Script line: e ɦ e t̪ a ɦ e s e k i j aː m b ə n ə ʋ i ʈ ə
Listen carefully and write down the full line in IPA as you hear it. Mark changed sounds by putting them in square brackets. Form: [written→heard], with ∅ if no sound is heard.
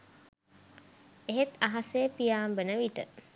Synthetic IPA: e ɦ e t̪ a ɦ [e→a] s e [k→p] i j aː m b ə n ə ʋ i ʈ ə